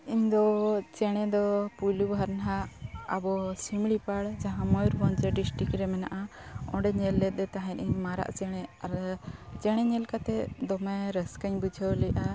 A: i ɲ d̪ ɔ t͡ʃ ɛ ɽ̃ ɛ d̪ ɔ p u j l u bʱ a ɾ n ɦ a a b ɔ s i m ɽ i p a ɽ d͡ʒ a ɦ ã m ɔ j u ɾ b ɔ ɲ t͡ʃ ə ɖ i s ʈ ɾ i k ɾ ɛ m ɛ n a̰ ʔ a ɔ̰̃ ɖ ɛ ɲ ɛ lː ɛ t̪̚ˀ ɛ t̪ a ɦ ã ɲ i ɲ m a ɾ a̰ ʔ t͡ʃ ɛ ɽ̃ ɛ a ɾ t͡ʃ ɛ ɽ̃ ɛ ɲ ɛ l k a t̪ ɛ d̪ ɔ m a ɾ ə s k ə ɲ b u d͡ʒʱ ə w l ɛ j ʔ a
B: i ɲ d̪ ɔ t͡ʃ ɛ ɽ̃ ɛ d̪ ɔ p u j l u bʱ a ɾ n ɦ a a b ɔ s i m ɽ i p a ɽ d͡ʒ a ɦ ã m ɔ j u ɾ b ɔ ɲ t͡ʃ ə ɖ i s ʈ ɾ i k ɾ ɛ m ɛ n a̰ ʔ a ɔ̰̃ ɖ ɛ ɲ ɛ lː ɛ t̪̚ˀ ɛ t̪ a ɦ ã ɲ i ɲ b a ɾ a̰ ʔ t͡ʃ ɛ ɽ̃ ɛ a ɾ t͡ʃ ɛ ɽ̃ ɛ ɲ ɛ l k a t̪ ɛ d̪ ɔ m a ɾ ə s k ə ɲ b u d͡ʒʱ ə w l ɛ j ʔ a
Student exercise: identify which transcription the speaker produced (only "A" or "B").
A